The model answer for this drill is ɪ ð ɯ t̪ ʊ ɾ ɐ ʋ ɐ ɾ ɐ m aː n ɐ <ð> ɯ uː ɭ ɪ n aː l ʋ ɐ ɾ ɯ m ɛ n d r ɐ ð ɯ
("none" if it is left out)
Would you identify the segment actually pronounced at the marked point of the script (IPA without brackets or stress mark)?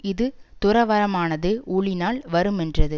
ð